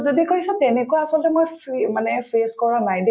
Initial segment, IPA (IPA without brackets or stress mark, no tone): z